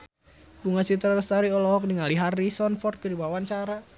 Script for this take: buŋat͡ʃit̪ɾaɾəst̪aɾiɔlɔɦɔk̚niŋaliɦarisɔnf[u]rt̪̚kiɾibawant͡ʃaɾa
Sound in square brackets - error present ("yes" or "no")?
yes